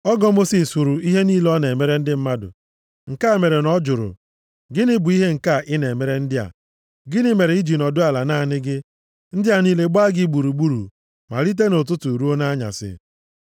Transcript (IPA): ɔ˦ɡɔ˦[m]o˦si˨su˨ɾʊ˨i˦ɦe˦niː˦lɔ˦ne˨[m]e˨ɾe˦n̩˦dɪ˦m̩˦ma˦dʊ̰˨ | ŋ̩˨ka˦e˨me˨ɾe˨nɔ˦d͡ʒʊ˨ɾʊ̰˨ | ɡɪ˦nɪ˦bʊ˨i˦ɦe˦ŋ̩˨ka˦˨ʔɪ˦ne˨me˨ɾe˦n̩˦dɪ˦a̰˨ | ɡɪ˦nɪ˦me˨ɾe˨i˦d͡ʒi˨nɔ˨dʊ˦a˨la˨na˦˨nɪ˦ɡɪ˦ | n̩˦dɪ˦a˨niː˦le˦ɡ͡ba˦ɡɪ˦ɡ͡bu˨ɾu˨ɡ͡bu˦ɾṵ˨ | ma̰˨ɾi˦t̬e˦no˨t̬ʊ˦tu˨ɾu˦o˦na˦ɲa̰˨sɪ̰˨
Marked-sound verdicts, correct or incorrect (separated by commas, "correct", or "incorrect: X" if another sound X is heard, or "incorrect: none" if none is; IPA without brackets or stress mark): correct, correct